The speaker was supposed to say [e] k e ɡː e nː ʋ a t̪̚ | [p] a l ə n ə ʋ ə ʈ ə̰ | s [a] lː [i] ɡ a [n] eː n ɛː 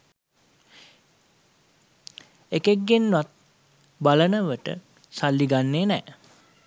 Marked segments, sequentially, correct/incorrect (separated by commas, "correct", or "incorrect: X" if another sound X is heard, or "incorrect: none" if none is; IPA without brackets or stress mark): correct, incorrect: b, correct, correct, incorrect: nː